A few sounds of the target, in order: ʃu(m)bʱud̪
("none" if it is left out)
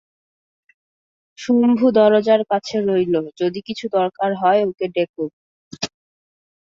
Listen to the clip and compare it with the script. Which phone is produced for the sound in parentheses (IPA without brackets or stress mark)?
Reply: m